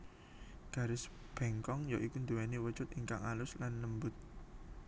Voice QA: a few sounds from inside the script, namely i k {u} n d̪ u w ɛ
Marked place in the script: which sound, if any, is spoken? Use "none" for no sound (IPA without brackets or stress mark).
u